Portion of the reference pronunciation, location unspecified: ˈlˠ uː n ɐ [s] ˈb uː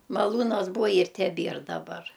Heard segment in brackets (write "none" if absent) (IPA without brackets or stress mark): s